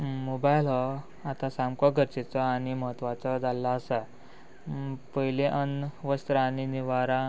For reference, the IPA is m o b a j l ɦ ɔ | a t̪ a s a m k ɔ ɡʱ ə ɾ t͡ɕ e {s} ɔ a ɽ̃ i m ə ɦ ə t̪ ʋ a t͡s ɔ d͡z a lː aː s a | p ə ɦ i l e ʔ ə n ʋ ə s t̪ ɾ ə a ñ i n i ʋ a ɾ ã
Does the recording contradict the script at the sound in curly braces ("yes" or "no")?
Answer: yes